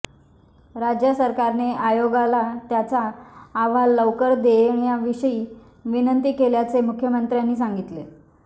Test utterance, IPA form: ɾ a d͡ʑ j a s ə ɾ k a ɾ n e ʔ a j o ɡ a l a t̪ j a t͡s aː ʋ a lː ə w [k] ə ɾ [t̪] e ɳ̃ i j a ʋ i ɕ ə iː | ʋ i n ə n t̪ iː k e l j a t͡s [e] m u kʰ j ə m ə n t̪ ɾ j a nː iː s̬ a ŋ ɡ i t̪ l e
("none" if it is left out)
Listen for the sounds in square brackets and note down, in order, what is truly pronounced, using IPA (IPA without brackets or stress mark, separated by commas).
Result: k, d̪, e